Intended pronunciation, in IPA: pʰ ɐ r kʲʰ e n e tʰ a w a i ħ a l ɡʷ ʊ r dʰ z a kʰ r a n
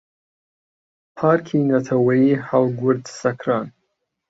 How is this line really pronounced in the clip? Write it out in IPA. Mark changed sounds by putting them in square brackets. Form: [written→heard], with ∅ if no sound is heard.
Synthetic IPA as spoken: pʰ [ɐ→a] r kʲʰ [e→i] n [e→a] tʰ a w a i ħ a l ɡʷ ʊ r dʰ [z→s] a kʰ r a n